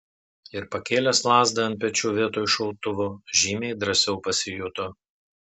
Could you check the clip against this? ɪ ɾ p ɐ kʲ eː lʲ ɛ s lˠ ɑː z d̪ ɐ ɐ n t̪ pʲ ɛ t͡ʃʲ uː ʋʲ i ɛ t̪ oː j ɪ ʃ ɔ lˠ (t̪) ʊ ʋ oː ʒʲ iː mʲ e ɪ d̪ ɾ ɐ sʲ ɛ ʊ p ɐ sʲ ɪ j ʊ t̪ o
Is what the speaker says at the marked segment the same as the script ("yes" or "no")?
yes